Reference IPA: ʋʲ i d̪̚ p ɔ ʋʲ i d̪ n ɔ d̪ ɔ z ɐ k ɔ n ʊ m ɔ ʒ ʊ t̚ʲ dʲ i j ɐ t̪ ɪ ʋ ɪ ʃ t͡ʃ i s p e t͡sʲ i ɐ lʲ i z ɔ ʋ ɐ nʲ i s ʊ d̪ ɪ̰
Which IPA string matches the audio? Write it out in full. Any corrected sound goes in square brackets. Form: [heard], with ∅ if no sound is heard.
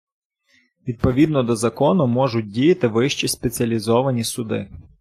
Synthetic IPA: ʋʲ i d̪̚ p ɔ ʋʲ i d̪ n ɔ d̪ ɔ z ɐ k ɔ n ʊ m ɔ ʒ ʊ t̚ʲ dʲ i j ɐ t̪ ɪ ʋ ɪ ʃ t͡ʃ i s p e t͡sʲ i ɐ lʲ i z ɔ ʋ ɐ nʲ i s ʊ d̪ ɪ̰